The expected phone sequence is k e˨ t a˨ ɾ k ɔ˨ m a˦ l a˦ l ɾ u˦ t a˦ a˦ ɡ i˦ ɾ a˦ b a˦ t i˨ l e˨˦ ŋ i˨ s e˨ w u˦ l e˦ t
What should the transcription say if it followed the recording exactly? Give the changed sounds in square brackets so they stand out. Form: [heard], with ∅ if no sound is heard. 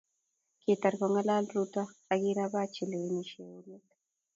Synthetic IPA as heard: k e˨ t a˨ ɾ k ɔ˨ [ŋ] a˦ l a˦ l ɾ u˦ t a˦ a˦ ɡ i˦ ɾ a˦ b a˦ [t͡ʃ] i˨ l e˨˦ [n] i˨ [ʃ] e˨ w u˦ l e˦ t